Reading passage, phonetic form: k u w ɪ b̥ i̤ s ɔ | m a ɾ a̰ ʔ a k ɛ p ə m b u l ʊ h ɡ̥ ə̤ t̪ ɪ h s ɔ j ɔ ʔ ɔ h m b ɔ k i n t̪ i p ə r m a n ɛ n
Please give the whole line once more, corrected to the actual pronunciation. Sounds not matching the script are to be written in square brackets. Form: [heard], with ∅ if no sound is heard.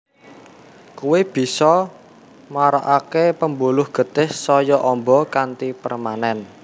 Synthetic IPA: k u w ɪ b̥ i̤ s ɔ | m a ɾ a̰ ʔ a k [e] p ə m b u l ʊ h ɡ̥ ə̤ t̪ ɪ h s ɔ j ɔ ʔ ɔ [∅] m b ɔ k [a] n t̪ i p ə r m a n ɛ n